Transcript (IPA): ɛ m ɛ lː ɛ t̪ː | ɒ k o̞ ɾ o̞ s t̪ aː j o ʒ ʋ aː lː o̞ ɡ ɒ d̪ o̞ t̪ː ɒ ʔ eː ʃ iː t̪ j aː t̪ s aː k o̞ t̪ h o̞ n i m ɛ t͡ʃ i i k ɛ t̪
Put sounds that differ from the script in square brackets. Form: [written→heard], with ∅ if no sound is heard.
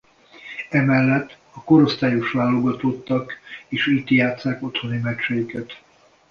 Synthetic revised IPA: ɛ m ɛ lː ɛ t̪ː | ɒ k o̞ ɾ o̞ s t̪ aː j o [ʒ→ʃ] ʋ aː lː o̞ ɡ ɒ [d̪→t̪] o̞ t̪ː ɒ [ʔ→k] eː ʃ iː t̪ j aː t̪ s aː k o̞ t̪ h o̞ n i m ɛ t͡ʃ [i→ɛ] i k ɛ t̪